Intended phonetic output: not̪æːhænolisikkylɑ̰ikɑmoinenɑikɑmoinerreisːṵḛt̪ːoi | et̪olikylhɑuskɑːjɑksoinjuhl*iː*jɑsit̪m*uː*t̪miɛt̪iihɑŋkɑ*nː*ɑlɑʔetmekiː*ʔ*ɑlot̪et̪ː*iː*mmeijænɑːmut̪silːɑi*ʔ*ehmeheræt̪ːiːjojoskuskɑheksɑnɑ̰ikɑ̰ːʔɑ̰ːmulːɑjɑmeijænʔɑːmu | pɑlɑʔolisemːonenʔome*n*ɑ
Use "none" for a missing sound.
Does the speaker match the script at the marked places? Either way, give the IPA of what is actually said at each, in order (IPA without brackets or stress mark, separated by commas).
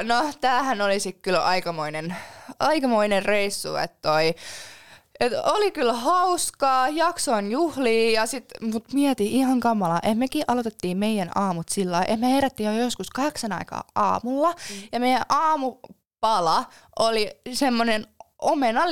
iː, u, mː, ʔ, iː, ʔ, n